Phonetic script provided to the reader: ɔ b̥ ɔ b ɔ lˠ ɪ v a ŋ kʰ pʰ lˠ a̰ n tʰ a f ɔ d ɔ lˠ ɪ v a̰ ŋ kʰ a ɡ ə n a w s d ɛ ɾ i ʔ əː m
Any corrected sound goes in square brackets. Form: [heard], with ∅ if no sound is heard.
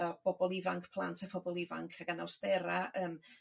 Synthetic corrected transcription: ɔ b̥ ɔ b ɔ lˠ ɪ v a ŋ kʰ pʰ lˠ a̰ n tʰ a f ɔ [b] ɔ lˠ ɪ v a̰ ŋ kʰ a ɡ [a] n a w s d ɛ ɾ [a] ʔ əː m

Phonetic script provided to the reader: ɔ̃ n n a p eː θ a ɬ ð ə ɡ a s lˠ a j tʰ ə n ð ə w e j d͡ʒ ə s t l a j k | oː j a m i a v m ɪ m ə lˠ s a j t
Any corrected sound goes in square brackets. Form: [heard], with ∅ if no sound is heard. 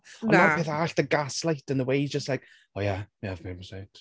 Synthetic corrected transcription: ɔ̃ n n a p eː θ a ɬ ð ə ɡ a s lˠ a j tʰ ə n ð ə w e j d͡ʒ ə s t l a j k | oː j a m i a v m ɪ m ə [∅] s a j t

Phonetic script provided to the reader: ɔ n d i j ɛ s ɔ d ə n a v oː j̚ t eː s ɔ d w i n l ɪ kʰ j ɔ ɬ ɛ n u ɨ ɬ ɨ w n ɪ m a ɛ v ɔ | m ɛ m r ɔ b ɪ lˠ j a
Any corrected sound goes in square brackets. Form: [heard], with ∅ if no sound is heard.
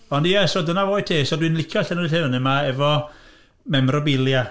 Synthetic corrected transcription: ɔ n d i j ɛ s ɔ d ə n a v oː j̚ [tʰ] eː s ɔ d w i n l ɪ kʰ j ɔ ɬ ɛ n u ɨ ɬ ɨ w n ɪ m a ɛ v ɔ | m ɛ m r ɔ b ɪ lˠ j a

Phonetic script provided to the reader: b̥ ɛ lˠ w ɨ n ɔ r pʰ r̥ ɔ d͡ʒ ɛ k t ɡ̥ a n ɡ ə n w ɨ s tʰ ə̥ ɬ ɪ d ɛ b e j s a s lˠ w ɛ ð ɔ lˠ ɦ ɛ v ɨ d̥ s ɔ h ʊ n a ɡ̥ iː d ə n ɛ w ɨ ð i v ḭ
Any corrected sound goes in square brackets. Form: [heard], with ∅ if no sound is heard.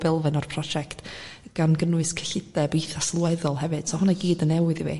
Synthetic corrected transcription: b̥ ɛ lˠ [v] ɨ n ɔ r pʰ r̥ ɔ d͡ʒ ɛ k t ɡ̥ a n ɡ ə n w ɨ s [kʰ] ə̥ ɬ ɪ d ɛ b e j [θ] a s lˠ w ɛ ð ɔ lˠ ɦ ɛ v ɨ d̥ s ɔ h ʊ n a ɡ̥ iː d ə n ɛ w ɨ ð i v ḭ

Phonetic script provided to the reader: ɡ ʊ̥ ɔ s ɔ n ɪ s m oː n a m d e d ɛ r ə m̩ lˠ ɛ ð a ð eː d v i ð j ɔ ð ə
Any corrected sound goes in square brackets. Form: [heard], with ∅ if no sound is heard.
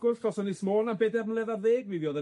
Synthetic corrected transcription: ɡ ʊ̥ ɔ s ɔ n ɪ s m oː n a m [b] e d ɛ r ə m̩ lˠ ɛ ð a ð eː [ɡ] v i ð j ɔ ð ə

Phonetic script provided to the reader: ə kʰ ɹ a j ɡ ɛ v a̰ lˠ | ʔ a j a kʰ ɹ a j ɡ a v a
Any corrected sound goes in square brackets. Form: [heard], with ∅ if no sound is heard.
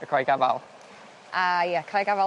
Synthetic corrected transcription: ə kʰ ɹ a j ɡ [a] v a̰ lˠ | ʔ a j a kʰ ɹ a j ɡ a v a

